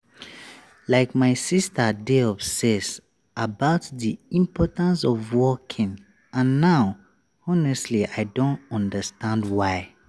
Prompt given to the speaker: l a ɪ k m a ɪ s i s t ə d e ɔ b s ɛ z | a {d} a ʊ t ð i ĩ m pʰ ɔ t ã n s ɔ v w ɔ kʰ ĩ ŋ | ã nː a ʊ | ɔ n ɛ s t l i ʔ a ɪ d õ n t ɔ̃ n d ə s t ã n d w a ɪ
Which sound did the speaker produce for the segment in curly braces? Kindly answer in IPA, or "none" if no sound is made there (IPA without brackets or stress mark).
b